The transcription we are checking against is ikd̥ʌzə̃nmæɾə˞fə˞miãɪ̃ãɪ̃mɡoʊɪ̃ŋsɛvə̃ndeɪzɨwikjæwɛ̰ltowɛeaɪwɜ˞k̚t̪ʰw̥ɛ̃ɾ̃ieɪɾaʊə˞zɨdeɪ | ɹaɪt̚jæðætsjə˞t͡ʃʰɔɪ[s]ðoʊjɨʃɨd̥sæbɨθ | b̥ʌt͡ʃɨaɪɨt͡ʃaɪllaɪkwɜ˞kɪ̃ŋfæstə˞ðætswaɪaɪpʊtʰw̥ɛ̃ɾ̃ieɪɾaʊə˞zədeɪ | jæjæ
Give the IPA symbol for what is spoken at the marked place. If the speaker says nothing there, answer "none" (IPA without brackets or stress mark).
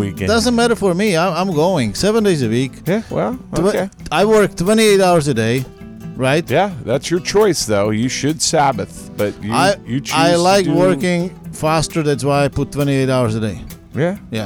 s